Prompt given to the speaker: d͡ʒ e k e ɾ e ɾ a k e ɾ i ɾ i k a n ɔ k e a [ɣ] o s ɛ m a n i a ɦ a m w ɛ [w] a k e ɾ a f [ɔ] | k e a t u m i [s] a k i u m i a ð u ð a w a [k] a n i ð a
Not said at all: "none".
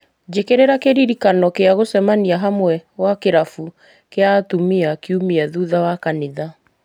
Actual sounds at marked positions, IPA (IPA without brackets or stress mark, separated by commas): ɣ, w, u, none, k